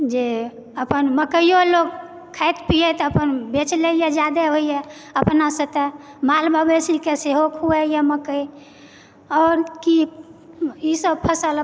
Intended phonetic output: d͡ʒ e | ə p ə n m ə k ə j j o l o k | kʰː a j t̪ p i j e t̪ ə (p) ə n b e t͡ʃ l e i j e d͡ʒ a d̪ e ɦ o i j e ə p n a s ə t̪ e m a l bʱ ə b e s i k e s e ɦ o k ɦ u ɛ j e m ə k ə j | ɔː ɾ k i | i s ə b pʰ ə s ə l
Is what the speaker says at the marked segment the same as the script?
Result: yes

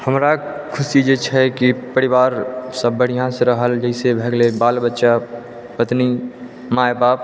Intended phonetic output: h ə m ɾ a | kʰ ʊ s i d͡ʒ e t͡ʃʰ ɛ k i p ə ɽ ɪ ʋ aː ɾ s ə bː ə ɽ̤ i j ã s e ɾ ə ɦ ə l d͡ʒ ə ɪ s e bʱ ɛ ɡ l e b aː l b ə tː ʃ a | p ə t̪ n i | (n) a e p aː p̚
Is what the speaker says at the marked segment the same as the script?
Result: no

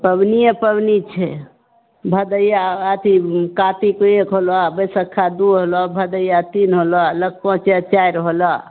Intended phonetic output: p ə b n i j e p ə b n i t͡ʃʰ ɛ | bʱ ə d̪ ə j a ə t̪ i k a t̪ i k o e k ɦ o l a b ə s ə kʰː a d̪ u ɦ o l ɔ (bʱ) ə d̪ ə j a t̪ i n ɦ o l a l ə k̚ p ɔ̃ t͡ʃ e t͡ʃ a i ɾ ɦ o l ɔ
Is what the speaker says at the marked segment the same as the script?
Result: yes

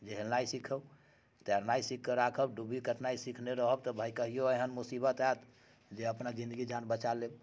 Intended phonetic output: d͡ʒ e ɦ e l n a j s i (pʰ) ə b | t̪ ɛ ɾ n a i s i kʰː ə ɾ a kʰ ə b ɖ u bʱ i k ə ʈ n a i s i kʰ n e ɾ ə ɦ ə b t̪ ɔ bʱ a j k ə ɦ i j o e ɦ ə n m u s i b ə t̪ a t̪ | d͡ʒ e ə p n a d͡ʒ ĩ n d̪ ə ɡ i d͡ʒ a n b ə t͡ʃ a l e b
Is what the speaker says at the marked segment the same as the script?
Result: no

